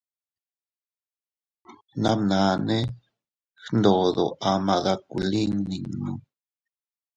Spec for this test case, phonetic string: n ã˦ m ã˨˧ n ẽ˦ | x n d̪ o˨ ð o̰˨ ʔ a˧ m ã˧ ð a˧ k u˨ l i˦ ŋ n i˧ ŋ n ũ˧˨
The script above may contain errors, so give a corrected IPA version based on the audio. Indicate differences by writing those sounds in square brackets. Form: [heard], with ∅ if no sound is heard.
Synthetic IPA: n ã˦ [n] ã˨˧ n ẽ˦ | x n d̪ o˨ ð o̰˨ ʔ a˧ m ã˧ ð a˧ k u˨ l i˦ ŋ n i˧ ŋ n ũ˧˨